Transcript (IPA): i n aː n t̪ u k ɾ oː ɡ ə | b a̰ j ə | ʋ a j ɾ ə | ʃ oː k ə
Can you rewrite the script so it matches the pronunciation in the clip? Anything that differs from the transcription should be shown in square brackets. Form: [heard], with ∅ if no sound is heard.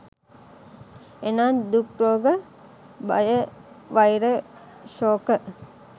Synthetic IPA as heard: [e] n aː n [d̪] u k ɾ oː ɡ ə | b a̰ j ə | ʋ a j ɾ ə | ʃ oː k ə